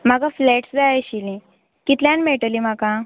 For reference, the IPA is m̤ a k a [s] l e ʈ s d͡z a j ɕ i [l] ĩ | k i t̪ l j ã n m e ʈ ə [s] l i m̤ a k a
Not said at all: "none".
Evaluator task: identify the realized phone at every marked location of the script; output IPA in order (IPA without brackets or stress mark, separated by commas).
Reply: f, l, none